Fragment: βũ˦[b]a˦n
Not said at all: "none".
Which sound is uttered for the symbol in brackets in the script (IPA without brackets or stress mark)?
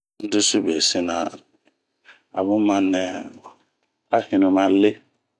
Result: m